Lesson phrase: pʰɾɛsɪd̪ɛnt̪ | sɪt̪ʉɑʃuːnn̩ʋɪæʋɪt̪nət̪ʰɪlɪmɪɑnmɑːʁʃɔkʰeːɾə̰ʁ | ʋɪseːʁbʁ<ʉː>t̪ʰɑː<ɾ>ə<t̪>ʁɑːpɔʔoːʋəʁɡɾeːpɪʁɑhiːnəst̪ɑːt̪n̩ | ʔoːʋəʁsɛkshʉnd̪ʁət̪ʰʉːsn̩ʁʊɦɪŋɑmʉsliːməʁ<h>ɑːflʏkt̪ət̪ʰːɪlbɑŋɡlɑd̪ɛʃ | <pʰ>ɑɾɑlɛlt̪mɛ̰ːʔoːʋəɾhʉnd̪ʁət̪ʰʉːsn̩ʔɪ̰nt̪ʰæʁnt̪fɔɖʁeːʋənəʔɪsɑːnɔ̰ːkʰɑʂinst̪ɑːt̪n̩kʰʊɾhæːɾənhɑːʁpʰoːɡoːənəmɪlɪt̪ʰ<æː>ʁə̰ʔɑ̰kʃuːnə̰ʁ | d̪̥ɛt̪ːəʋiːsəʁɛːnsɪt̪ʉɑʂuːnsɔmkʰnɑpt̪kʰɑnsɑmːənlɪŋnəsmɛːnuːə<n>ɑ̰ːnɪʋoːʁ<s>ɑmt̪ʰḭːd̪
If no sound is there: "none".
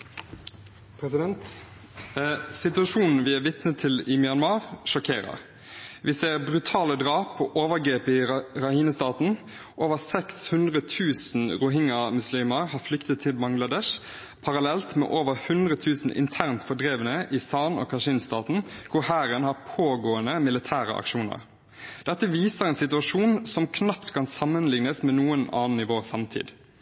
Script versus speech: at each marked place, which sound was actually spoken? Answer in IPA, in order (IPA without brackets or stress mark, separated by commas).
ʉ, l, d̪, h, pʰ, æː, n, s